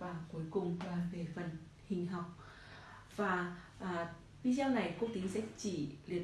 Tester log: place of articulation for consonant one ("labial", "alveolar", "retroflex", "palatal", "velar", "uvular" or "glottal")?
labial